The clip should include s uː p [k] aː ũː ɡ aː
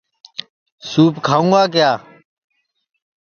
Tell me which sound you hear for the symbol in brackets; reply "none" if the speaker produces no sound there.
kʰ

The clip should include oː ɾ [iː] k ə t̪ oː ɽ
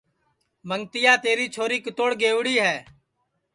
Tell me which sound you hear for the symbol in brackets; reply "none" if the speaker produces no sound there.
iː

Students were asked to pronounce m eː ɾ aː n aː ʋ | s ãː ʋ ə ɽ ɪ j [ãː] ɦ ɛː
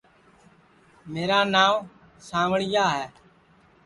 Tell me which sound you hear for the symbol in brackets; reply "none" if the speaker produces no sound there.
aː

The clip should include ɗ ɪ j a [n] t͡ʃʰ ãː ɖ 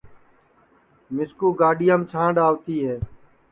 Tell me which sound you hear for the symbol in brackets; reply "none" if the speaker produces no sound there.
m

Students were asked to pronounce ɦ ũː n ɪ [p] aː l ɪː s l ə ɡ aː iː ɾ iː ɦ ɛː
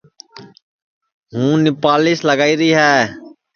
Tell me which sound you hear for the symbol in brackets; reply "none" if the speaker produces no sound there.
p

